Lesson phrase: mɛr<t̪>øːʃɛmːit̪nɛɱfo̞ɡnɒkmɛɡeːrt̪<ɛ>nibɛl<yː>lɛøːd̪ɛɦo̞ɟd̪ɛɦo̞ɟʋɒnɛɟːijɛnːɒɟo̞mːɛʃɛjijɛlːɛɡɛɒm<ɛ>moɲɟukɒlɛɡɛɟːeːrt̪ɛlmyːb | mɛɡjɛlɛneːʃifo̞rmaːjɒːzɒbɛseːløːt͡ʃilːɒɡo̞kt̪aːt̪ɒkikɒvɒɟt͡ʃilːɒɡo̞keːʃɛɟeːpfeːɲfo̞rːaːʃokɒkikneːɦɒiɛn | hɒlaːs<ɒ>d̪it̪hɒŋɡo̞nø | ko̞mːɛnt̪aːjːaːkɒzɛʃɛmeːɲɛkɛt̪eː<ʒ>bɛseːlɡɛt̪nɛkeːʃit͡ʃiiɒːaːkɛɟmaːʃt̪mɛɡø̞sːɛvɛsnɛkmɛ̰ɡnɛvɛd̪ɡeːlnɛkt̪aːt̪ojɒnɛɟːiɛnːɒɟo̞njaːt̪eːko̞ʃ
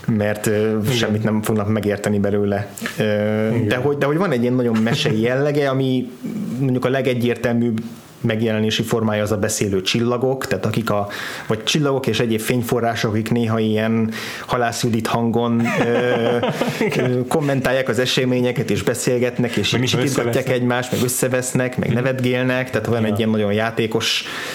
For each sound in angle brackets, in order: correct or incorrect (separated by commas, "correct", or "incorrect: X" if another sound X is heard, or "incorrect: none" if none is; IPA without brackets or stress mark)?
correct, correct, incorrect: øː, incorrect: i, incorrect: u, correct